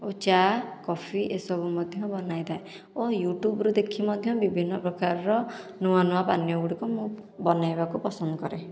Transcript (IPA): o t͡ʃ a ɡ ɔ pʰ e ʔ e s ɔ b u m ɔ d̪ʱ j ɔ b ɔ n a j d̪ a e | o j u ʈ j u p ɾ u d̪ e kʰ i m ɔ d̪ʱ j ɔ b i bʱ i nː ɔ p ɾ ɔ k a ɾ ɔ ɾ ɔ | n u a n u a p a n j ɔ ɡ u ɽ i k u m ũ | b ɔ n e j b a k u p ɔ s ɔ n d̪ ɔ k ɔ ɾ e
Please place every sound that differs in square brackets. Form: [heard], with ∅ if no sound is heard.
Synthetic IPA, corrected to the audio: o t͡ʃ a [k] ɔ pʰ [i] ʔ e s ɔ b u m ɔ d̪ʱ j ɔ b ɔ n a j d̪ a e | o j u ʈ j u [b] ɾ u d̪ e kʰ i m ɔ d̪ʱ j ɔ b i bʱ i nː ɔ p ɾ ɔ k a ɾ ɔ ɾ ɔ | n u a n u a p a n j ɔ ɡ u ɽ i k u m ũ | b ɔ n [a] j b a k u p ɔ s ɔ n d̪ ɔ k ɔ ɾ e